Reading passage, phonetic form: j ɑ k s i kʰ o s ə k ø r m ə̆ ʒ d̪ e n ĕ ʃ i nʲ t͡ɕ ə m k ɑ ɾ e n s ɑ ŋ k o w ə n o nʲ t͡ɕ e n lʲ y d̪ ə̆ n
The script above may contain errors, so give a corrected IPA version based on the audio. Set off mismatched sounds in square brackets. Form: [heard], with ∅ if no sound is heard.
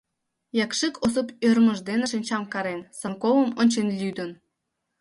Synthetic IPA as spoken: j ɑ k [ʃ] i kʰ o s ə [p] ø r m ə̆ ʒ d̪ e n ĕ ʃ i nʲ t͡ɕ [ɑ] m k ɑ ɾ e n s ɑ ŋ k o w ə [m] o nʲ t͡ɕ e n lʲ y d̪ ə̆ n